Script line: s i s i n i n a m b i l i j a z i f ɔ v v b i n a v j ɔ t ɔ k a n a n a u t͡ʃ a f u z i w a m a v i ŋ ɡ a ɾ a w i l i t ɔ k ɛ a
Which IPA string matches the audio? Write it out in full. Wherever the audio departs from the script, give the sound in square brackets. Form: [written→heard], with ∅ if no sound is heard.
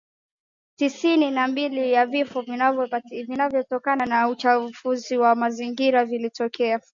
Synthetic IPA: [s→t] i s i n i n a m b i l i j a [z→v] i f ɔ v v [b→v] i n a v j ɔ t ɔ k a n a n a u t͡ʃ a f u z i w a m a [v→z] i ŋ ɡ [a→i] ɾ a [w→v] i l i t ɔ k ɛ a